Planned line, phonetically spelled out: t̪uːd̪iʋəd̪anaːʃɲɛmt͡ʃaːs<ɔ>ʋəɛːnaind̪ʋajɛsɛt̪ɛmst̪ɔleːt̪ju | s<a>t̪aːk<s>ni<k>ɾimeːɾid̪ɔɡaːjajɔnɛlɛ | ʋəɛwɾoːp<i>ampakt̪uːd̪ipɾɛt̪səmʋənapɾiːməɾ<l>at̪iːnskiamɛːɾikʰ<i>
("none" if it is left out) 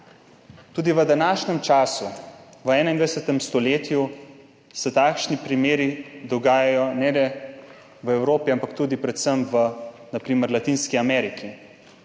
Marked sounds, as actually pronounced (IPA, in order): u, ɛ, ʃ, p, i, l, i

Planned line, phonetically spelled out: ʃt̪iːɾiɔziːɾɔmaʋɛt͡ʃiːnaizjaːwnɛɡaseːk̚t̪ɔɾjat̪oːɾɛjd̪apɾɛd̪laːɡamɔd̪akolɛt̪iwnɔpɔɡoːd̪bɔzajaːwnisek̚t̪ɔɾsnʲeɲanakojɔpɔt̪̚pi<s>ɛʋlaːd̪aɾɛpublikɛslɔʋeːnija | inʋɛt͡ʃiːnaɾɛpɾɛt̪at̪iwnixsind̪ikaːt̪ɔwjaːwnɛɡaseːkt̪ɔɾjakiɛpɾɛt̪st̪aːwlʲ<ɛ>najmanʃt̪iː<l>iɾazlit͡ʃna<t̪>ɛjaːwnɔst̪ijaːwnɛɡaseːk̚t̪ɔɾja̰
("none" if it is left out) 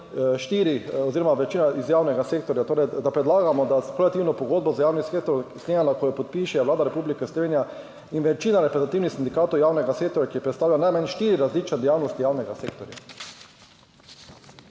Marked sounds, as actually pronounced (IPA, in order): ʃ, a, ɾ, d̪

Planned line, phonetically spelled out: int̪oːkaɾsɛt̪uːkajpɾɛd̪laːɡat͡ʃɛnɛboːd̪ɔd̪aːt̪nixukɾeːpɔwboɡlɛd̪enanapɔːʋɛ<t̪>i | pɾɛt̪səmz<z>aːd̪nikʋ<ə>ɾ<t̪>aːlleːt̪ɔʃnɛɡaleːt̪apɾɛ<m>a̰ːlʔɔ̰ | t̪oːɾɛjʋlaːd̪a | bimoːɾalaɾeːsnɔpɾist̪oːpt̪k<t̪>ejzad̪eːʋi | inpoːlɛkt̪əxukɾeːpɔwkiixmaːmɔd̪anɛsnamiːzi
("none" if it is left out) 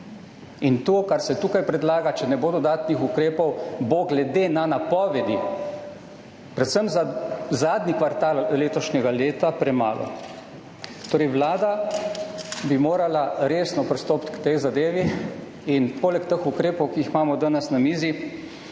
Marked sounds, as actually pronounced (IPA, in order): d̪, z, a, t̪, m, t̪

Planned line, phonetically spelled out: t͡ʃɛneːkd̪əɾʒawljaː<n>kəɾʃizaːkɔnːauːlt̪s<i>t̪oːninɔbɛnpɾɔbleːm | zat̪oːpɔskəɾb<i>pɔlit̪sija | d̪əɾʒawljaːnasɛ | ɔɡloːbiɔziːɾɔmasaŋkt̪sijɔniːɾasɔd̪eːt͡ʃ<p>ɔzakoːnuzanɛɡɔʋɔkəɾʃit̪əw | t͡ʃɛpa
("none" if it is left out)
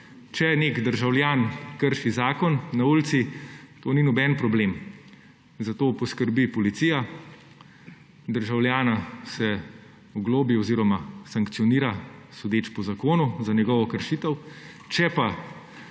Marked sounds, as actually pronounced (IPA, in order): n, i, i, p

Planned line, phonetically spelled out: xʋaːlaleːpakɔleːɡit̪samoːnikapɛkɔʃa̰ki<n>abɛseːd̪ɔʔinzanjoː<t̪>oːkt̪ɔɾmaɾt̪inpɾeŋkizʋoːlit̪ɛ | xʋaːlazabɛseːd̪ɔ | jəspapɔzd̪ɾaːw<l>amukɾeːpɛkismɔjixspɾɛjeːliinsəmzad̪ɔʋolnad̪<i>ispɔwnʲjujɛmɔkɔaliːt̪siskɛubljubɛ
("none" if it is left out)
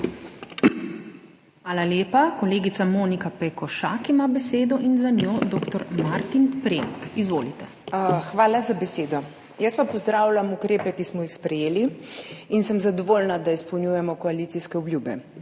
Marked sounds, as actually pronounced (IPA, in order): m, d̪, l, a

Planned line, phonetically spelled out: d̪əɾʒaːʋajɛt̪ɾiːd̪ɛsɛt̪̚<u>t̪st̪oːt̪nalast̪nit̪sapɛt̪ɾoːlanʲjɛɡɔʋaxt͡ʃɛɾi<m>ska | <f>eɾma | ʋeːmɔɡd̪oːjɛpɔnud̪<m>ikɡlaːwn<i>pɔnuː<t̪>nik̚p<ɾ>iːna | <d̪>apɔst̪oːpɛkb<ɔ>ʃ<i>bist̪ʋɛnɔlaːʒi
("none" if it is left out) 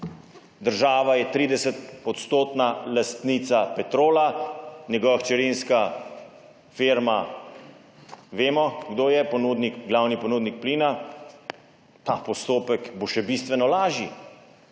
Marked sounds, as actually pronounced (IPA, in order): ɔ, n, f, n, i, d̪, l, t̪, o, ɛ

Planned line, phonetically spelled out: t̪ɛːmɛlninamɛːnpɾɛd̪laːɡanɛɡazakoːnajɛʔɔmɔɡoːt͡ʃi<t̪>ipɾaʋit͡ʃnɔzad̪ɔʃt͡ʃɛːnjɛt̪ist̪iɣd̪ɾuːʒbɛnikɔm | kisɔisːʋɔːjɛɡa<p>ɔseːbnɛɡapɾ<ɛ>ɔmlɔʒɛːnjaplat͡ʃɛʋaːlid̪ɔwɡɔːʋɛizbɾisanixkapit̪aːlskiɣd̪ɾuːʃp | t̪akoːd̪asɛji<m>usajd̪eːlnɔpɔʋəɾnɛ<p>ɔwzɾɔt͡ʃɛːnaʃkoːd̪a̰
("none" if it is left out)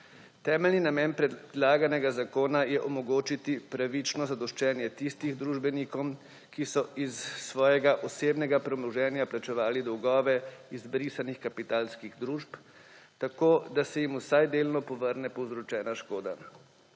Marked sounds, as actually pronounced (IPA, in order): t̪, ʔ, ɛ, m, p

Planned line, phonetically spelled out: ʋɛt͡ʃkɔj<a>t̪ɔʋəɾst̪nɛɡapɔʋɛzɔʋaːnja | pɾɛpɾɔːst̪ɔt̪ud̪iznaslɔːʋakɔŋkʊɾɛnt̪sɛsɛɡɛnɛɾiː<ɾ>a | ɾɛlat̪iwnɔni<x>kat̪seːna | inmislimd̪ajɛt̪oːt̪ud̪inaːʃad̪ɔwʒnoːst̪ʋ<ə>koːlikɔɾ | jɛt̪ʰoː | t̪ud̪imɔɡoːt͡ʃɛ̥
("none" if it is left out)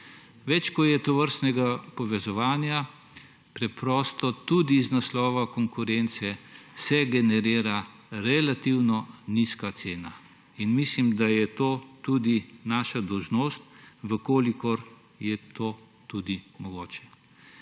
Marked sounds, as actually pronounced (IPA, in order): ɛ, ɾ, s, ə

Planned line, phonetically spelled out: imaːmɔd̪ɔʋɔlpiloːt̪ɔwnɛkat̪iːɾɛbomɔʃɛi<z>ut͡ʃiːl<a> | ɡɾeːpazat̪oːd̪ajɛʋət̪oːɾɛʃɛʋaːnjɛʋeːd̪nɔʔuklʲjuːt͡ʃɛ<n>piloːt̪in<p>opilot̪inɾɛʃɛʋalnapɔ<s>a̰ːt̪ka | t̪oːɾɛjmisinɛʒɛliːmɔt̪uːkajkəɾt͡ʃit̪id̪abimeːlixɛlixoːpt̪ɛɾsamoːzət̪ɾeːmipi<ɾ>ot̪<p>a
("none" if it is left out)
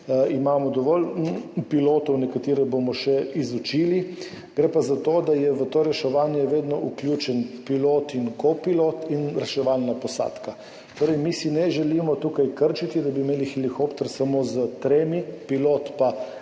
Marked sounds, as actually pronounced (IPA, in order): z, i, n, k, s, l, p

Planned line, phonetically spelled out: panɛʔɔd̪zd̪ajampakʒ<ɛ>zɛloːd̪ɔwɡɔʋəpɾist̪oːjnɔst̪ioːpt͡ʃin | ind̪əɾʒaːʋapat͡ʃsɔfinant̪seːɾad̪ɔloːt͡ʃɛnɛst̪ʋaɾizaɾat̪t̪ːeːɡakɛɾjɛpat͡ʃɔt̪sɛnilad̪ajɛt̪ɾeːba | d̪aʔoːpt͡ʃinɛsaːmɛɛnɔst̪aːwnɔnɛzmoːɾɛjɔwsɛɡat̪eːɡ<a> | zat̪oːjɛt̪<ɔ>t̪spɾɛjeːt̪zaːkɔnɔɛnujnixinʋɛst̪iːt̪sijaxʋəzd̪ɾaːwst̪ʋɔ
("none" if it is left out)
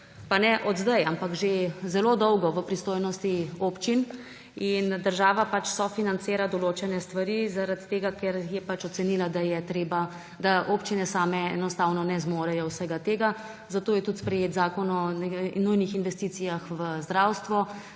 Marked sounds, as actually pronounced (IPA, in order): e, a, u

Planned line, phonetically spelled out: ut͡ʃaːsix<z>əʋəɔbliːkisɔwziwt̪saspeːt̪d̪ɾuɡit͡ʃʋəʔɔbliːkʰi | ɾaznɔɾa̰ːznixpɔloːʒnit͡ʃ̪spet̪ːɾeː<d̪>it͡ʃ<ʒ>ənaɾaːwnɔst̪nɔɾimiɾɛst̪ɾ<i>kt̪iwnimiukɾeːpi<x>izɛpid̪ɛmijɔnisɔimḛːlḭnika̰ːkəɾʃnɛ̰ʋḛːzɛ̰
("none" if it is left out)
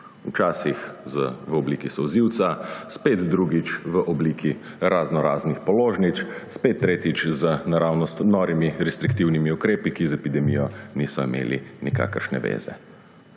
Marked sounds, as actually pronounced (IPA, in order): z, t̪, z, i, k

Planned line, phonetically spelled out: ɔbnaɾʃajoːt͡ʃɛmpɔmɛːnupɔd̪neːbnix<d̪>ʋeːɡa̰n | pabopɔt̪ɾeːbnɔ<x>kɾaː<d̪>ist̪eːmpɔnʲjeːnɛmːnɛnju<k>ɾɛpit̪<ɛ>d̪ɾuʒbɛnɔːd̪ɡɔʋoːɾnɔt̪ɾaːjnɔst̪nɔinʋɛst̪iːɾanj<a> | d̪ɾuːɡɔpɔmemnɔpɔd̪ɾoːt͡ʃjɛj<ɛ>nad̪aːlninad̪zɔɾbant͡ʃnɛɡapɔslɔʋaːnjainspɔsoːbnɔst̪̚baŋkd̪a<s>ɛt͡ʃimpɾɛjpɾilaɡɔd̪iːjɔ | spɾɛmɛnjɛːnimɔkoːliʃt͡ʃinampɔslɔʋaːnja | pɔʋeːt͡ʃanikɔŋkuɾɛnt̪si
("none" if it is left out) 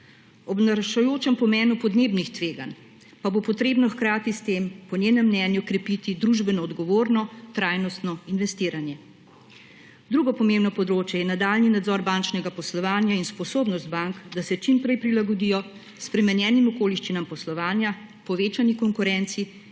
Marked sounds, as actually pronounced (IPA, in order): t̪, x, t̪, k, i, ɛ, ɛ, s

